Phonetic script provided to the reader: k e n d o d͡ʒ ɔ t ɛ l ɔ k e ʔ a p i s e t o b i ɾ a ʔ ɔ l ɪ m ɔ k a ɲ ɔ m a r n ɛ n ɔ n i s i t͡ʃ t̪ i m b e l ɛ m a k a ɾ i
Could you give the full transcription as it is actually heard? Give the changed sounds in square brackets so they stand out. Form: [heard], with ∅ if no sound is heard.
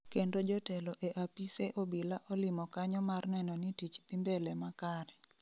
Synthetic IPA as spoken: k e n d o d͡ʒ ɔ t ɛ l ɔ [ʔ] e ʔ a p i s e [ʔ] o b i [l] a ʔ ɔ l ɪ m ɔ k a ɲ ɔ m a r n ɛ n ɔ n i [t] i t͡ʃ t̪ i m b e l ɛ m a k a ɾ [ɛ]